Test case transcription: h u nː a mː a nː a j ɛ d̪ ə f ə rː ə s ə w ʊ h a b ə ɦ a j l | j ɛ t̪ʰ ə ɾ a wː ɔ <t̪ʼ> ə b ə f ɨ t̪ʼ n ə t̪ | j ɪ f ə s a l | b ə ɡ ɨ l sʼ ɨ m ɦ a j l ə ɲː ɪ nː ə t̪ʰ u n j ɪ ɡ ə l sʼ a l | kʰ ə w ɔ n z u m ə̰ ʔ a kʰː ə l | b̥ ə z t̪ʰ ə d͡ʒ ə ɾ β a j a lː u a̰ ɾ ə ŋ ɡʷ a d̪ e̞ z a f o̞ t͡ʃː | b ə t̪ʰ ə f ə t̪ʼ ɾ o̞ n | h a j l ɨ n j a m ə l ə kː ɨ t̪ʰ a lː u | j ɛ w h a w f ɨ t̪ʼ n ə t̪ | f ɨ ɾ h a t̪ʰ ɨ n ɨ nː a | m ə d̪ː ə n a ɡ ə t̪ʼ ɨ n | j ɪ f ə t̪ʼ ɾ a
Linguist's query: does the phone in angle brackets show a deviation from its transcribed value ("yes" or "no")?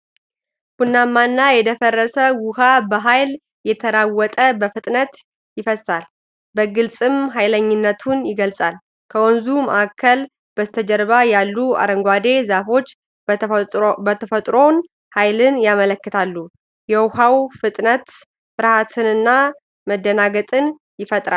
no